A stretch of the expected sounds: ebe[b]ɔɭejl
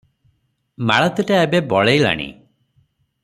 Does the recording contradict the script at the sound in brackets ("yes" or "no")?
no